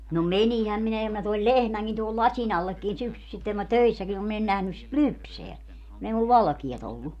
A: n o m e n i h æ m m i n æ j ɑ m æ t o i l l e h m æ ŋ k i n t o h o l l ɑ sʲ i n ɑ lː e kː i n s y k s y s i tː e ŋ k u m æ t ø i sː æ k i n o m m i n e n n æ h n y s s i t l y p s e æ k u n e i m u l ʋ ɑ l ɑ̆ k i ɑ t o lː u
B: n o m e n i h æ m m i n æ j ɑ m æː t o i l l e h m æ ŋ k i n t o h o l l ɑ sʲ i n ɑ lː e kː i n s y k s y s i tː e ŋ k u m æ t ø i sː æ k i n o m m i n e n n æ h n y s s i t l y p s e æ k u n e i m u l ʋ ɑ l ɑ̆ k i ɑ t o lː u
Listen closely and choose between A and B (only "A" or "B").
A